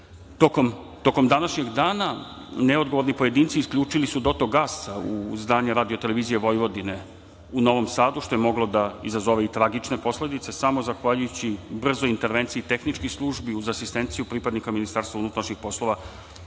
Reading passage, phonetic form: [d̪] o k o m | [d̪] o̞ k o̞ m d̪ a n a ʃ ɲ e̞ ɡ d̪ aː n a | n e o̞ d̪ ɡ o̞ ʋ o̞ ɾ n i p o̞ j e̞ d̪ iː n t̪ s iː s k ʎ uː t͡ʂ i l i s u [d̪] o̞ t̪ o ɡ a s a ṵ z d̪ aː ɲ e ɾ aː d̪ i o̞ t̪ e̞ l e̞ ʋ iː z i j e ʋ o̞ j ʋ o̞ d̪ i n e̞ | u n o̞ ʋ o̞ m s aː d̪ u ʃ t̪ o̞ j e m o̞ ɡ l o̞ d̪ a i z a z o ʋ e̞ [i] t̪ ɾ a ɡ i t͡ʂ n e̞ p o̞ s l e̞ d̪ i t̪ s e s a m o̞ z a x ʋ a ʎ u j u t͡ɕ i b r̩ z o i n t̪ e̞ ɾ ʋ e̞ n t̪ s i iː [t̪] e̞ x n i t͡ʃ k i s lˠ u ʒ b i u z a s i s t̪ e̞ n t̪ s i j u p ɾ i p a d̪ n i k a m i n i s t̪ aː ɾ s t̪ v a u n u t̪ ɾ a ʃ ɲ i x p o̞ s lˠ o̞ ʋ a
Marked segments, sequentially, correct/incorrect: incorrect: t̪, incorrect: t̪, correct, correct, correct

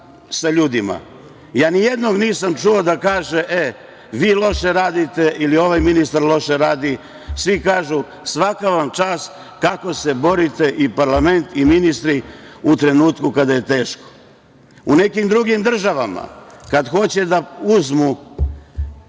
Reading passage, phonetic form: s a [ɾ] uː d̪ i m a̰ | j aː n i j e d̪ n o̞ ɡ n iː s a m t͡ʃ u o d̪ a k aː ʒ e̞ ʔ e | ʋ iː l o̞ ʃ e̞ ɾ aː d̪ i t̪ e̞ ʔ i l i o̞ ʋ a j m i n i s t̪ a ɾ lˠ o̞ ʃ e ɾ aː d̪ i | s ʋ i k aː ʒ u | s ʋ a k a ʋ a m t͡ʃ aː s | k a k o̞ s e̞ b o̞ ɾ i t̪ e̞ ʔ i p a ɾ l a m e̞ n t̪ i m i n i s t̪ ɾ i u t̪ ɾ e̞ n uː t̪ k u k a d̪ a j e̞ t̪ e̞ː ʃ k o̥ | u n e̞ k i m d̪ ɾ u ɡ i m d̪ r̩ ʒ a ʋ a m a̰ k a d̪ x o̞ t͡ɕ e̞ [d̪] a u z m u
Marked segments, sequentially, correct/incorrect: incorrect: ʎ, correct

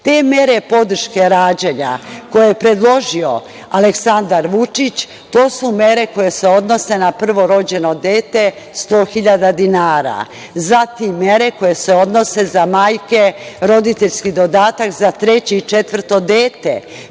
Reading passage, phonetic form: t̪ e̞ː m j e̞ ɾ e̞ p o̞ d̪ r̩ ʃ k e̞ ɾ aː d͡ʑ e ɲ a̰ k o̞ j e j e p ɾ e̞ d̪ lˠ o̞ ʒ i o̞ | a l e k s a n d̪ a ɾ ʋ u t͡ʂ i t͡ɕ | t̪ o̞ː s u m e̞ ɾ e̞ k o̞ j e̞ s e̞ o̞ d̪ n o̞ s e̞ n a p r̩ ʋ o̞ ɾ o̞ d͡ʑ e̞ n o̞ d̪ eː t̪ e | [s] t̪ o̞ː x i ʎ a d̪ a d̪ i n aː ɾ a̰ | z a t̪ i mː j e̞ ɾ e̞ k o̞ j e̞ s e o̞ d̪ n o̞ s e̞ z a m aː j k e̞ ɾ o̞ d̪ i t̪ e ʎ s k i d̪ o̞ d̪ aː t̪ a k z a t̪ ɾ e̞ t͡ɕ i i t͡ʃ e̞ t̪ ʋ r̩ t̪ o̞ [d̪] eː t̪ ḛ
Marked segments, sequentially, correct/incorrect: correct, correct

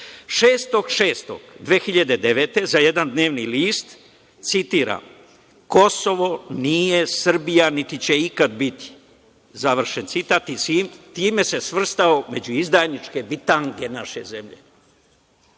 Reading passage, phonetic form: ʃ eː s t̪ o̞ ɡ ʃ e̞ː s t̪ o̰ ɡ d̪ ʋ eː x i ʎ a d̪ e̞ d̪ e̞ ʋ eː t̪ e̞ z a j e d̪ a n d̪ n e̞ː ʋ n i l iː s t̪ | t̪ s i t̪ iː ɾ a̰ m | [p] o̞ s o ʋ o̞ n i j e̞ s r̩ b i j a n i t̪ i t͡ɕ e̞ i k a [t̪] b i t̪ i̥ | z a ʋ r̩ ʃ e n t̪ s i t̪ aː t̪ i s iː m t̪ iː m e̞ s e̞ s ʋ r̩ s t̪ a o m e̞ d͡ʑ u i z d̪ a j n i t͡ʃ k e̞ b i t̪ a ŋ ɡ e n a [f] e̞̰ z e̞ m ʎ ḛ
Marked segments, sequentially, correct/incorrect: incorrect: k, incorrect: d̪, incorrect: ʃ

